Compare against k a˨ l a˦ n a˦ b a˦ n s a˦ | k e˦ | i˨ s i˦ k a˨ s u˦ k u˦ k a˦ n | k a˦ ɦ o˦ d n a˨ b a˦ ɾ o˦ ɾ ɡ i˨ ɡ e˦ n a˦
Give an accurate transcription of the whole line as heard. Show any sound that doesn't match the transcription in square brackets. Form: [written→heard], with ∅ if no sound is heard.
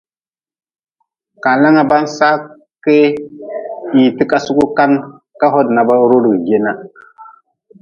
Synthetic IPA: k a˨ l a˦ [n→ŋ] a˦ b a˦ n s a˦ | k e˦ | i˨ [s→t] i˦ k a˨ s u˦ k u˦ k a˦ n | k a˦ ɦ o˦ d n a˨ b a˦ ɾ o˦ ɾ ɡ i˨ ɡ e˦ n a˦